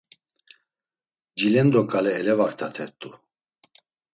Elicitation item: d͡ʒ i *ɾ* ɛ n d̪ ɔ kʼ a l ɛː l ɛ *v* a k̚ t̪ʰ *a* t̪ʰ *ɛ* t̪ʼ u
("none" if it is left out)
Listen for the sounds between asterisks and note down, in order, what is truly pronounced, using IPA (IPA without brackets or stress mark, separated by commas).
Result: l, v, a, ɛ